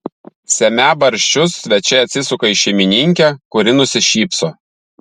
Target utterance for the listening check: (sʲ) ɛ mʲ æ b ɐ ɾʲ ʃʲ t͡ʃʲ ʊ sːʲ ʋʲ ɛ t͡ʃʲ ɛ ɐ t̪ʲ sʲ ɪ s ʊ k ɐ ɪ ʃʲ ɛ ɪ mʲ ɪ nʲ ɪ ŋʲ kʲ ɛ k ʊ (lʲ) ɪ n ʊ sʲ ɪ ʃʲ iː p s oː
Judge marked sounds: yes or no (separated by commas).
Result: yes, no